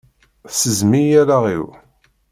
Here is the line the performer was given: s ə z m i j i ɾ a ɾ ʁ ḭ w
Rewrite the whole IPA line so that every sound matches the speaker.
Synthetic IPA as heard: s ə z m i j æ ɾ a ʁ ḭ w